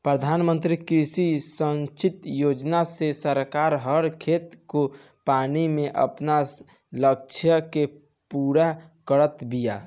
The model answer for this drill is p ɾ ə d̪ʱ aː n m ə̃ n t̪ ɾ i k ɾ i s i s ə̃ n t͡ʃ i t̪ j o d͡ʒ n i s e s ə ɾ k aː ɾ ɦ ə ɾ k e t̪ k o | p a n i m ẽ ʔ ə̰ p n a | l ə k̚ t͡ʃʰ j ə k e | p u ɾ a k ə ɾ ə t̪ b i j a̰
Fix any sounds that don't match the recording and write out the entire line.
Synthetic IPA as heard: p ɾ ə d̪ʱ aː n m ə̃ n t̪ ɾ i k ɾ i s i s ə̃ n t͡ʃ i t̪ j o d͡ʒ n a s e s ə ɾ k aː ɾ ɦ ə ɾ kʰ e t̪ k o | p a n i m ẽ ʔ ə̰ p n a | l ə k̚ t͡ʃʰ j ə k e | p u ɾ a k ə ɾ ə t̪ b i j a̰